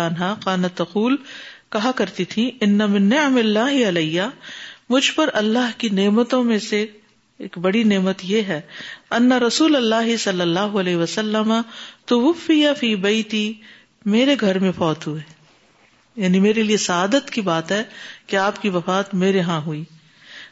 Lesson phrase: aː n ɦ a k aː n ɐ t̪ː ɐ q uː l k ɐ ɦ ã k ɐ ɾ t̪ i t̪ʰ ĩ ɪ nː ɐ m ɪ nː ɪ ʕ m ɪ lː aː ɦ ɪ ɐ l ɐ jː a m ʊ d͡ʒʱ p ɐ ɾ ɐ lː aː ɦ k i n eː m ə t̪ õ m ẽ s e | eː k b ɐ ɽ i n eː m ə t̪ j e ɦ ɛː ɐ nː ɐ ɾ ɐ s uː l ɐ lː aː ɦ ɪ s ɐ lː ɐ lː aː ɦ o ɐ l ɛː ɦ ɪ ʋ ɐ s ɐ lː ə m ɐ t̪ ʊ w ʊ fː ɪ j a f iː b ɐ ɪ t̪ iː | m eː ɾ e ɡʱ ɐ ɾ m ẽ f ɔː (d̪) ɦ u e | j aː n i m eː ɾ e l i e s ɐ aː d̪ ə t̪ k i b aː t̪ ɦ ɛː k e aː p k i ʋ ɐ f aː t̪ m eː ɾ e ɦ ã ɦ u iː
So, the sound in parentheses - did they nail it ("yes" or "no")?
no